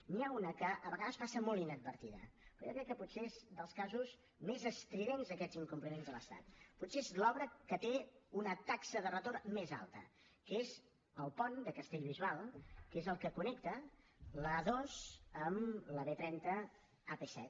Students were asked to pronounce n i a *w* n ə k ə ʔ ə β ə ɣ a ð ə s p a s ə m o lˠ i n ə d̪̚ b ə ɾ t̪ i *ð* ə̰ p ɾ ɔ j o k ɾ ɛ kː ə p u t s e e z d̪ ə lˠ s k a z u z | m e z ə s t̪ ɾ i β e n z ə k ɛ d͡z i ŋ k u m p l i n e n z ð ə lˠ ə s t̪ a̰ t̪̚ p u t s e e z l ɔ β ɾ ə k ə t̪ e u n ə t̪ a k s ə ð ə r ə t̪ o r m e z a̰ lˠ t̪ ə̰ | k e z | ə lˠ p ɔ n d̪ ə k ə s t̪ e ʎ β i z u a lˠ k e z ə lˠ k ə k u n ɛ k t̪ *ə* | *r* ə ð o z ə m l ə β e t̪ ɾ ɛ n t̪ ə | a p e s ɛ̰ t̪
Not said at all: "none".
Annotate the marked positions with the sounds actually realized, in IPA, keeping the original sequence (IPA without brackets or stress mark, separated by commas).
u, ð, ə, l